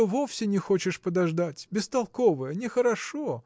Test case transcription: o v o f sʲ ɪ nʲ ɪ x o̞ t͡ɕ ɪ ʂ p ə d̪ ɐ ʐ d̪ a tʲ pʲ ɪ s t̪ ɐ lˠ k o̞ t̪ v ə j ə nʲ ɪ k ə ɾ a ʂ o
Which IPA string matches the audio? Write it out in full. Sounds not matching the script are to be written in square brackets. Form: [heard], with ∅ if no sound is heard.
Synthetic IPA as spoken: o v o f sʲ ɪ nʲ ɪ x o̞ t͡ɕ ɪ ʂ p ə d̪ ɐ ʐ d̪ a tʲ [bʲ] ɪ s t̪ ɐ lˠ k o̞ [∅] v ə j ə nʲ ɪ [x] ə ɾ [ɐ] ʂ o